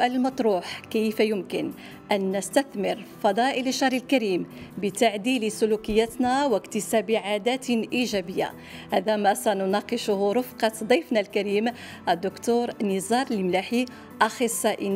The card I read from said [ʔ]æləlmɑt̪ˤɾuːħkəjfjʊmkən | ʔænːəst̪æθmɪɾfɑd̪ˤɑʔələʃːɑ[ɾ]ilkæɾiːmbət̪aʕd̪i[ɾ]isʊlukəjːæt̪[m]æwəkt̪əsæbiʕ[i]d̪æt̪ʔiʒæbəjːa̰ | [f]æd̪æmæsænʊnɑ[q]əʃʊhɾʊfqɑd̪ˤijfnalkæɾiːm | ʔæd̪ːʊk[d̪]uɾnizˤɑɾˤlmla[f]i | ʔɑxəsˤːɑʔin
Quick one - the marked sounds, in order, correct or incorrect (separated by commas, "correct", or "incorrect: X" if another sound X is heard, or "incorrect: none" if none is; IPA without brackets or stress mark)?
correct, correct, incorrect: l, incorrect: n, incorrect: a, incorrect: h, correct, incorrect: t̪, incorrect: ħ